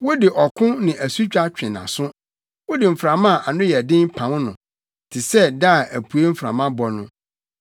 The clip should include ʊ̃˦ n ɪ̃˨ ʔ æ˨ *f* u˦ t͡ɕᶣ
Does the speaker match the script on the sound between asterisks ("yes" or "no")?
no